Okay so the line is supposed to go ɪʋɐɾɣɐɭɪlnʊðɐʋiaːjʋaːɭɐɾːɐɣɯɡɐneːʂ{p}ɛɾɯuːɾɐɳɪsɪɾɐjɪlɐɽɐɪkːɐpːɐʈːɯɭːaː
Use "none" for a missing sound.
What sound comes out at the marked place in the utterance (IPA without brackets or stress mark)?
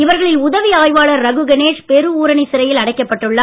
p